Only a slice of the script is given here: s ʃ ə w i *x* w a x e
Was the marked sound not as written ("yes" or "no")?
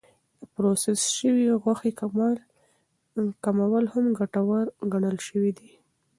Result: yes